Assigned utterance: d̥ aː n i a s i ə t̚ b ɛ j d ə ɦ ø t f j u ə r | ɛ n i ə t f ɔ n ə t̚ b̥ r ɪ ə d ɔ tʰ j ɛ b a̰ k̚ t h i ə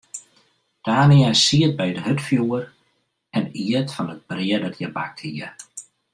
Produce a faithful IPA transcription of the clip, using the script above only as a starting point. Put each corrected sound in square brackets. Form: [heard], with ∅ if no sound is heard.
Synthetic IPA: d̥ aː n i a s i ə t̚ b ɛ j d ə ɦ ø t f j u ə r | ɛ n i ə t f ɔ n ə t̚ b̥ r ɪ ə d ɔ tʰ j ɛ b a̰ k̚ t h i ə